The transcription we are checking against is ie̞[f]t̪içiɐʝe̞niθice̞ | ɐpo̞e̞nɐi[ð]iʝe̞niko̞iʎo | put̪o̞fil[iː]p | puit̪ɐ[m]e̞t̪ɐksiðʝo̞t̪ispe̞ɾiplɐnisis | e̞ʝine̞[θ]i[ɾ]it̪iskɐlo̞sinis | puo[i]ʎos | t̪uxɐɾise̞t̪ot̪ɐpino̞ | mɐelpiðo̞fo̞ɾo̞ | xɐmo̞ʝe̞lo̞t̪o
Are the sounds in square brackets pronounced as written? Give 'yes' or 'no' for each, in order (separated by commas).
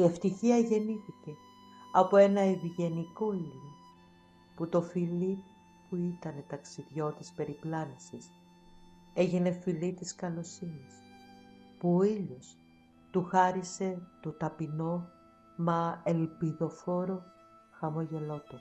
yes, no, no, no, no, no, yes